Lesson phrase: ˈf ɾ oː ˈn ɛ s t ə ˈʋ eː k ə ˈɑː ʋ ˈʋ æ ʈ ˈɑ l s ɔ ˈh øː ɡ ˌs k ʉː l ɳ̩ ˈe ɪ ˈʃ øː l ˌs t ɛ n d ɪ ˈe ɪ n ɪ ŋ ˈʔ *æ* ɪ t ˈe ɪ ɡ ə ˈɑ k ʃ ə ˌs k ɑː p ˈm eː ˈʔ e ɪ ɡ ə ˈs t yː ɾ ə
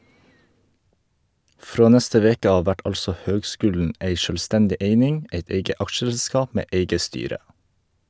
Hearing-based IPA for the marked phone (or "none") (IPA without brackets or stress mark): e